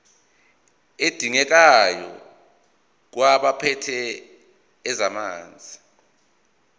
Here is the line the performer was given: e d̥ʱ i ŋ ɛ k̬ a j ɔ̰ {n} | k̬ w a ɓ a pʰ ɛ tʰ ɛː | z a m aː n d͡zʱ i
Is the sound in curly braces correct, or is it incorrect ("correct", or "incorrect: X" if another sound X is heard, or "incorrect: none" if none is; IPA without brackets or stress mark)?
incorrect: none